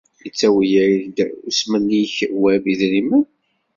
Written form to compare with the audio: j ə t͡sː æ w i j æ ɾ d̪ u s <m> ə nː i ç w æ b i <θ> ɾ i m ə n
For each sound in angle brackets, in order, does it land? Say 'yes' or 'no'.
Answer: yes, no

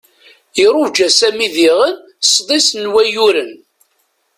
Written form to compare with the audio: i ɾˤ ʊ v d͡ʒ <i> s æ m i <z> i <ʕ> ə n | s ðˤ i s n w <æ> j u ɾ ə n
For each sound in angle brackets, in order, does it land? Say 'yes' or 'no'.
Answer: no, no, no, yes

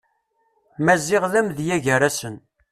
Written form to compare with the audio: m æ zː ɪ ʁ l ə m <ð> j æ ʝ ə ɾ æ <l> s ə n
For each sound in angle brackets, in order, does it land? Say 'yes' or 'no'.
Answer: yes, no

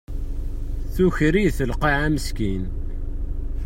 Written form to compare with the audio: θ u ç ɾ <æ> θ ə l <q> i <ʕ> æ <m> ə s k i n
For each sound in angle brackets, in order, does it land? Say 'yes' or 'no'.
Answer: no, yes, yes, yes

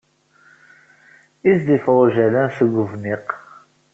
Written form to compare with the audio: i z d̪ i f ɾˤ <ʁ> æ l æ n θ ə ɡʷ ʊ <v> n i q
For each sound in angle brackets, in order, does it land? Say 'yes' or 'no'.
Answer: no, yes

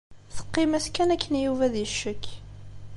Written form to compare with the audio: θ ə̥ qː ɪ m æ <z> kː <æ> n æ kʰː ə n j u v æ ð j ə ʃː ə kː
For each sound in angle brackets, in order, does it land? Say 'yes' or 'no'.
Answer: no, yes

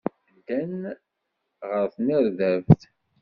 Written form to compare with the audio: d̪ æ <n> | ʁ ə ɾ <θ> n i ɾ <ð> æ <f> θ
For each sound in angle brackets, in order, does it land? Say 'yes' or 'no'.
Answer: yes, yes, yes, no

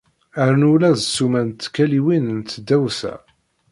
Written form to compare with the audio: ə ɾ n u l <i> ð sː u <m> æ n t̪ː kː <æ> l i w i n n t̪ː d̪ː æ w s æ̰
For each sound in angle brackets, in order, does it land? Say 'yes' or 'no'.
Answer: no, yes, yes

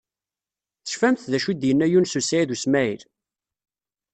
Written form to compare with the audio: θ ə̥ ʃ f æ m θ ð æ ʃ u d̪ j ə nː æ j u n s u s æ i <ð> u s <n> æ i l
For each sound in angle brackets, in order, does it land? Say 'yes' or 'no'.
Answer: yes, no

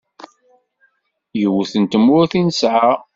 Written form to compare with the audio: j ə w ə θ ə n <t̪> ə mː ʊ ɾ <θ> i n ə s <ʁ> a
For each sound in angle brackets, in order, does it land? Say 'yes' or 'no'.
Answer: yes, yes, no

